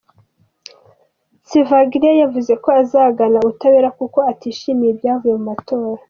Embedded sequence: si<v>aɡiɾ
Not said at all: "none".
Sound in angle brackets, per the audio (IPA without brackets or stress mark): v